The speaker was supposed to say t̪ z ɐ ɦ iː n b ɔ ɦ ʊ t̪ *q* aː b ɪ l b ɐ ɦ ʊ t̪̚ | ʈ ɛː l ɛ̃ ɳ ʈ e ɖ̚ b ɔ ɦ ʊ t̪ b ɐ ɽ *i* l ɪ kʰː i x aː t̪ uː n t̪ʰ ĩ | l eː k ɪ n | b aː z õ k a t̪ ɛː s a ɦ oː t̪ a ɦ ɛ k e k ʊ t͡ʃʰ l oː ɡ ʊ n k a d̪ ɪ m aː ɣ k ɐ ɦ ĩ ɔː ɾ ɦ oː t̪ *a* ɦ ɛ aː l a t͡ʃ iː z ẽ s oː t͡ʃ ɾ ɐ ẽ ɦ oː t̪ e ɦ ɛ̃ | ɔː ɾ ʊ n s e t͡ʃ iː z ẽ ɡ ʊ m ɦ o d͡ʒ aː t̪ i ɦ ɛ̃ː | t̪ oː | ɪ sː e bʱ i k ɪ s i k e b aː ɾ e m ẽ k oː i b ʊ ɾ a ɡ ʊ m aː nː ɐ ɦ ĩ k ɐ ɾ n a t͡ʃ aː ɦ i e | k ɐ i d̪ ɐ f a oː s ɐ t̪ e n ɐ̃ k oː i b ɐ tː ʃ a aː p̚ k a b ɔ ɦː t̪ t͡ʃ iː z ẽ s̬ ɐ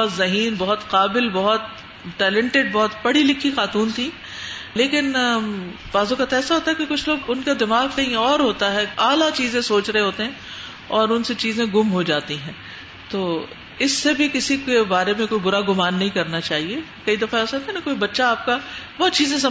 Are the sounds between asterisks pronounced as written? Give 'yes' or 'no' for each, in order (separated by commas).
yes, yes, yes